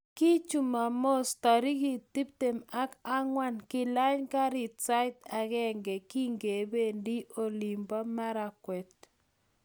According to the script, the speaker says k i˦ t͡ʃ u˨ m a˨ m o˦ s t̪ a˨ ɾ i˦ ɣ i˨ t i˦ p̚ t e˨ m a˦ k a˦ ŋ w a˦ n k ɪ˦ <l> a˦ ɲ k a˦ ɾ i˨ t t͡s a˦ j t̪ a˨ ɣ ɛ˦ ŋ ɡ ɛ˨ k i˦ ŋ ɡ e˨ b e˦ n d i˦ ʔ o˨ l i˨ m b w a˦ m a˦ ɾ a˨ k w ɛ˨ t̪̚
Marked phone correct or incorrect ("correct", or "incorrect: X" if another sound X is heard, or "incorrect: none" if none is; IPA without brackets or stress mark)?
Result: correct